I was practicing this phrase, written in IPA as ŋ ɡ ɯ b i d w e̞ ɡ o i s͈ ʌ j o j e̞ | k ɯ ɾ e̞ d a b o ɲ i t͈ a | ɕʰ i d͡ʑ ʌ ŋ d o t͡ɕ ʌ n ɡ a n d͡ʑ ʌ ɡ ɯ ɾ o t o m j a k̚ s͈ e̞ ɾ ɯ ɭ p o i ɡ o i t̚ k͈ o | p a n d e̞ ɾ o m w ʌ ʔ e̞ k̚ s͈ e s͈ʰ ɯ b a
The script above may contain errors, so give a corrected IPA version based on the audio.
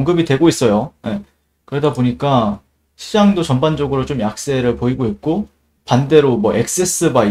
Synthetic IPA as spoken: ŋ ɡ ɯ b i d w e̞ ɡ o i s͈ ʌ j o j e̞ | k ɯ ɾ e̞ d a b o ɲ i k͈ a | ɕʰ i d͡ʑ a ŋ d o t͡ɕ ʌ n b a n d͡ʑ ʌ ɡ ɯ ɾ o t͡ɕ o m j a k̚ s͈ e̞ ɾ ɯ ɭ p o i ɡ o i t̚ k͈ o | p a n d e̞ ɾ o m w ʌ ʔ e̞ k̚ s͈ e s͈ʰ ɯ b a

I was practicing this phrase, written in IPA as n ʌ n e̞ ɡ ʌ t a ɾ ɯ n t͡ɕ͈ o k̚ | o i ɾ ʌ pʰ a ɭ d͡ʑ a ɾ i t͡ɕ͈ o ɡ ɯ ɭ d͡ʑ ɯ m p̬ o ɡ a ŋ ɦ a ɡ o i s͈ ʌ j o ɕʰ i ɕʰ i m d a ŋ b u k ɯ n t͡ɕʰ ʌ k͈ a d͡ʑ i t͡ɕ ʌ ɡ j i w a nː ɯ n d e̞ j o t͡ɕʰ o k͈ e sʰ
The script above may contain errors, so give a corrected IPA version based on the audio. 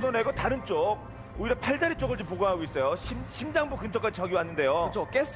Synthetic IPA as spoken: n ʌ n e̞ ɡ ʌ t a ɾ ɯ n t͡ɕ͈ o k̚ | o i ɾ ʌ pʰ a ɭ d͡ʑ a ɾ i t͡ɕ͈ o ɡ ɯ ɭ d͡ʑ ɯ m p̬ o ɡ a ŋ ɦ a ɡ o i s͈ ʌ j o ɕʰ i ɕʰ i m d͡ʑ a ŋ b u k ɯ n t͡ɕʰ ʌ k͈ a d͡ʑ i t͡ɕ ʌ ɡ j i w a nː ɯ n d e̞ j o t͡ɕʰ o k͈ e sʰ

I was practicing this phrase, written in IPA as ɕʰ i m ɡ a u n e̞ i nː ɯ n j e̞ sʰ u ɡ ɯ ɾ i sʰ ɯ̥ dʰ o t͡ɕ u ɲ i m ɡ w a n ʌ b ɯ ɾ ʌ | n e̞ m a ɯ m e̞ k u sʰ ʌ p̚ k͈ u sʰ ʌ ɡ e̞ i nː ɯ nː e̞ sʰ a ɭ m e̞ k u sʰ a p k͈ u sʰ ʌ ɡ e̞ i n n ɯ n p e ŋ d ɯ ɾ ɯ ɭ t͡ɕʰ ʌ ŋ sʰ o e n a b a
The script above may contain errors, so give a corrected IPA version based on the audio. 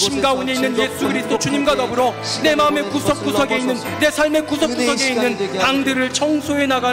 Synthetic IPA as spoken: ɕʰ i m ɡ a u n e̞ i nː ɯ n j e̞ sʰ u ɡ ɯ ɾ i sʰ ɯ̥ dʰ o t͡ɕ u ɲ i m ɡ w a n ʌ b ɯ ɾ ʌ | n e̞ m a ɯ m e̞ k u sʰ ʌ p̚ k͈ u sʰ ʌ ɡ e̞ i nː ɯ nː e̞ sʰ a ɭ m e̞ k u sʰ ʌ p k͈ u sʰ ʌ ɡ e̞ i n nː ɯ n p a ŋ d ɯ ɾ ɯ ɭ t͡ɕʰ ʌ ŋ sʰ o e n a ɡ a

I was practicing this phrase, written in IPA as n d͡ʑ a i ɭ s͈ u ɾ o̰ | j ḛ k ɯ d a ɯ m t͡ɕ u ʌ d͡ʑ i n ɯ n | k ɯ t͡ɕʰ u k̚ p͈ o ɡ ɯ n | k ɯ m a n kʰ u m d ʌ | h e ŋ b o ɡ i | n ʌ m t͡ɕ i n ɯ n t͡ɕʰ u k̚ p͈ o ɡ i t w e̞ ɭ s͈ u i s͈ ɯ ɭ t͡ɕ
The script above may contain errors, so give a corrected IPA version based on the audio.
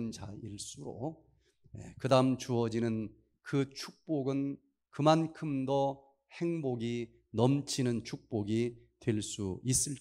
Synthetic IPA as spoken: n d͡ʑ a i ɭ s͈ u ɾ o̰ | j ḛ k ɯ d a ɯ m t͡ɕ u ʌ d͡ʑ i n ɯ n | k ɯ t͡ɕʰ u k̚ p͈ o ɡ ɯ n | k ɯ m a n kʰ ɯ m d ʌ | h e ŋ b o ɡ i | n ʌ m t͡ɕʰ i n ɯ n t͡ɕʰ u k̚ p͈ o ɡ i t w e̞ ɭ s͈ u i s͈ ɯ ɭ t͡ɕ

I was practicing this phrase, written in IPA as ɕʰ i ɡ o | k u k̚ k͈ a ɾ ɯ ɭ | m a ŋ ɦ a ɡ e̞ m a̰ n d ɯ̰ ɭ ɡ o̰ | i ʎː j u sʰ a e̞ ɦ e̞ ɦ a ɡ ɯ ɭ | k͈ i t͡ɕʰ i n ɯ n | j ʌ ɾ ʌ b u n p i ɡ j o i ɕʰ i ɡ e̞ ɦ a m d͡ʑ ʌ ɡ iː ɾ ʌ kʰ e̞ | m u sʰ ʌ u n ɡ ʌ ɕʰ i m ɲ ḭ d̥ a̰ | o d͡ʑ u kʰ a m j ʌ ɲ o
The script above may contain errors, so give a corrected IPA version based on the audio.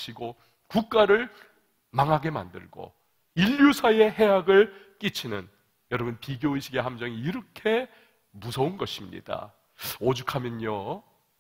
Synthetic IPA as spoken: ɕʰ i ɡ o | k u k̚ k͈ a ɾ ɯ ɭ | m a ŋ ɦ a ɡ e̞ m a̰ n d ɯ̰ ɭ ɡ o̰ | i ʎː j u sʰ a e̞ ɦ e̞ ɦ a ɡ ɯ ɭ | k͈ i t͡ɕʰ i n ɯ n | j ʌ ɾ ʌ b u n p i ɡ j o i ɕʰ i ɡ e̞ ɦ a m d͡ʑ ʌ ŋ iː ɾ ʌ kʰ e̞ | m u sʰ ʌ u n ɡ ʌ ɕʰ i m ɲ ḭ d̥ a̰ | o d͡ʑ u kʰ a m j ʌ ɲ o

